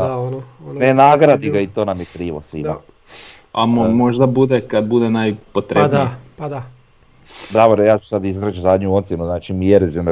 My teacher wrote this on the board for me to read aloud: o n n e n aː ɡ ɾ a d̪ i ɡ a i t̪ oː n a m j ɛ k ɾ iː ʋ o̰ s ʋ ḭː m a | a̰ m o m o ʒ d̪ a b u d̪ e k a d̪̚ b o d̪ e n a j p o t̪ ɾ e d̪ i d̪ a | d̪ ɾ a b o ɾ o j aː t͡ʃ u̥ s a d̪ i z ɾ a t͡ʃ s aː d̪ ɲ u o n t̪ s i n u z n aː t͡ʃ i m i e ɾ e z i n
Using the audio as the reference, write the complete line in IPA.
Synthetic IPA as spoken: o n n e n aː ɡ ɾ a d̪ i ɡ a i t̪ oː n a m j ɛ k ɾ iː ʋ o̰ s ʋ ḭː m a | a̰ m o m o ʒ d̪ a b u d̪ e k a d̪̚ b u d̪ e n a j p o t̪ ɾ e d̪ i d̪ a | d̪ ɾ a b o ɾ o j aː t͡ʃ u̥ s a d̪ i z ɾ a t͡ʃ z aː d̪ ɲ u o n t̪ s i n u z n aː t͡ʃ i m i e ɾ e z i n